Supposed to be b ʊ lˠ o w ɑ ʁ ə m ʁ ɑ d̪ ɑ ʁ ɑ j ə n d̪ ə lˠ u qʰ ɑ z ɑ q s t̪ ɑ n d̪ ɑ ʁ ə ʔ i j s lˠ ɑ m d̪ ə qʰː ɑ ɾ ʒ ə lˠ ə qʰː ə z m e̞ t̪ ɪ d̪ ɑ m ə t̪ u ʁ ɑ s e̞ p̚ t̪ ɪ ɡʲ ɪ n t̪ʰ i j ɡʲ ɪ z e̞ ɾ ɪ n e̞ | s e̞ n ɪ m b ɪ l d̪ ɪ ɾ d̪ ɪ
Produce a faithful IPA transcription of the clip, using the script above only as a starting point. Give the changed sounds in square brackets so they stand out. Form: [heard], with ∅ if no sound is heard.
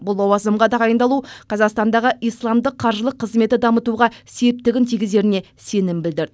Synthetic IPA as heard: b ʊ lˠ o w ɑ [z] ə m ʁ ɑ d̪ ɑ ʁ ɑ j ə n d̪ [ɑ] lˠ u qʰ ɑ z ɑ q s t̪ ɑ n d̪ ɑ ʁ ə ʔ i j s lˠ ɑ m d̪ ə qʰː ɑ ɾ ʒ ə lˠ ə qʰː ə z m e̞ t̪ ɪ d̪ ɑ m ə t̪ u ʁ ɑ s e̞ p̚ t̪ ɪ ɡʲ ɪ n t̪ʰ i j ɡʲ ɪ z e̞ ɾ ɪ n e̞ | s e̞ n ɪ m b ɪ l d̪ ɪ ɾ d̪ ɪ